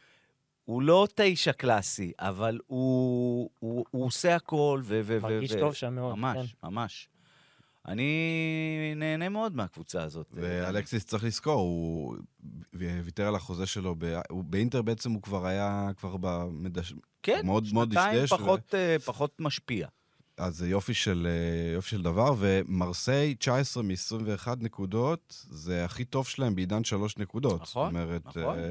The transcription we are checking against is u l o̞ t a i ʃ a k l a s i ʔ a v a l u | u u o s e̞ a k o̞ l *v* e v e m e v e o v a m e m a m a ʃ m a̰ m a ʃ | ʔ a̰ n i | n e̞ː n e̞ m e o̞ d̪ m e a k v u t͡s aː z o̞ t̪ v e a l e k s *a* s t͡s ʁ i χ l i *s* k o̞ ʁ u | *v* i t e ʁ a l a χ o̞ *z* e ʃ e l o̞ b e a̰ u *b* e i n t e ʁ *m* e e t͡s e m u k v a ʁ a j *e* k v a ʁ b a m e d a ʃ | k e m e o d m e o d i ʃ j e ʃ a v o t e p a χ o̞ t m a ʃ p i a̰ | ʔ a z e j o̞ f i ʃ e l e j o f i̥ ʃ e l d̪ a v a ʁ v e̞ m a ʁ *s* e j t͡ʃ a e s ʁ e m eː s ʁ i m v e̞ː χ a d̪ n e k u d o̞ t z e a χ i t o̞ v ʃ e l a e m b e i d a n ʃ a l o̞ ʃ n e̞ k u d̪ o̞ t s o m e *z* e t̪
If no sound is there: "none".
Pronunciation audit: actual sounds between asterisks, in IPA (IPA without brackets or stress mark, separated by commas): v, i, s, v, z, b, b, a, s, ʁ